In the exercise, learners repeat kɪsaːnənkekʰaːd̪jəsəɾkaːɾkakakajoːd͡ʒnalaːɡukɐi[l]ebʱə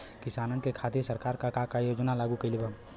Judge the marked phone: correct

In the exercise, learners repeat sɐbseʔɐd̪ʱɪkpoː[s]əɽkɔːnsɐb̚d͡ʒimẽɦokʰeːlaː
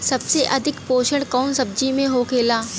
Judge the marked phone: incorrect: ʃ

